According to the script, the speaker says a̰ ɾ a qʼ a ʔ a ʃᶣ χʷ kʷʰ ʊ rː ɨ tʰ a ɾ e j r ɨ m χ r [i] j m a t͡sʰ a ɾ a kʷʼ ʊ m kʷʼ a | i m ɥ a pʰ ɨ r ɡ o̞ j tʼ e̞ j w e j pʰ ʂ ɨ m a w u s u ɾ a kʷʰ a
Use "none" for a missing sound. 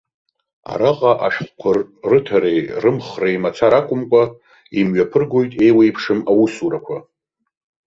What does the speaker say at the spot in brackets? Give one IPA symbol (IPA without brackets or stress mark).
e